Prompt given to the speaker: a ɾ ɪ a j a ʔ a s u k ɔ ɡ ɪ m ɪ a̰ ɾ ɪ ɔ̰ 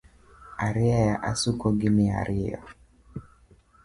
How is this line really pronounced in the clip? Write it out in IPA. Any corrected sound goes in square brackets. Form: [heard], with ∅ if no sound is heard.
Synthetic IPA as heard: a ɾ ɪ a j a ʔ a s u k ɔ ɡ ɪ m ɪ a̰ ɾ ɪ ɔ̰